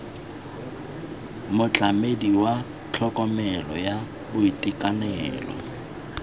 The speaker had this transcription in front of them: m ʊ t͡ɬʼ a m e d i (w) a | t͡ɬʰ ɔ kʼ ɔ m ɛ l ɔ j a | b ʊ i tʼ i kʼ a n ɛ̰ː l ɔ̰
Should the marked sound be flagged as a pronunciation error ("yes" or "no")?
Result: no